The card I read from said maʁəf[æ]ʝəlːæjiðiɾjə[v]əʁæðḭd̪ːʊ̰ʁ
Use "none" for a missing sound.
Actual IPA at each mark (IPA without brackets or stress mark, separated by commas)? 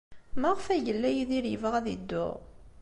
æ, v